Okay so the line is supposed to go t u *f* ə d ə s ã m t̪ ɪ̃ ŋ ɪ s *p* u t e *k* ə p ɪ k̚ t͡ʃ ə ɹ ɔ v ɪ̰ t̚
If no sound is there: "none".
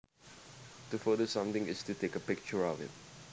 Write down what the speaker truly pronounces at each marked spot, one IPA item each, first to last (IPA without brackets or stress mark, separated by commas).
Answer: f, t, k